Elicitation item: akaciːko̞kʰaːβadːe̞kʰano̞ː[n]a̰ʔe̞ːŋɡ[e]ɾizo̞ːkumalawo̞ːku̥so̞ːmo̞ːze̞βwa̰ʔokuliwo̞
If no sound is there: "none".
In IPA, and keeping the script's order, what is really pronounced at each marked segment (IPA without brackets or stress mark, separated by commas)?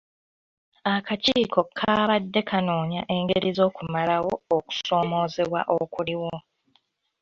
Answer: ɲ, e